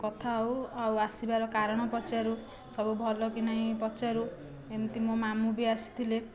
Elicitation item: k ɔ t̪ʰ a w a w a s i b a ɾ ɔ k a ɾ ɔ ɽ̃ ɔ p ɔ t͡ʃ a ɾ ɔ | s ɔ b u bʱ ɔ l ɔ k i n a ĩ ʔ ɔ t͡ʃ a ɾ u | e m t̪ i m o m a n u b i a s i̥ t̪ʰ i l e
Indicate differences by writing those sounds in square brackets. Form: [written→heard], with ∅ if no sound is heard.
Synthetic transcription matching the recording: k ɔ t̪ʰ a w a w a s i b a ɾ ɔ k a ɾ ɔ ɽ̃ ɔ p ɔ t͡ʃ a ɾ [ɔ→u] | s ɔ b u bʱ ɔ l ɔ k i n a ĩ [ʔ→p] ɔ t͡ʃ a ɾ u | e m t̪ i m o m a [n→m] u b i a s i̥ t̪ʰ i l e